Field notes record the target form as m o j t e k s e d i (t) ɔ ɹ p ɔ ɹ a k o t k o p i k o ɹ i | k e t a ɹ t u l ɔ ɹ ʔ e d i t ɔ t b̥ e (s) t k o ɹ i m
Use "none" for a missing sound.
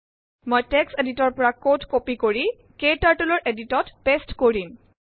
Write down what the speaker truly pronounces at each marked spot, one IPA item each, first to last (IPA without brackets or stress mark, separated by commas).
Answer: t, s